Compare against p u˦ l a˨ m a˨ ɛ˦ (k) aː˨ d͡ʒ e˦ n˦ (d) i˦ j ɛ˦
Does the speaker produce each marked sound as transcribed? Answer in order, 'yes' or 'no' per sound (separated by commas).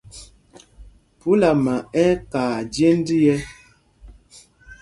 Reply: yes, yes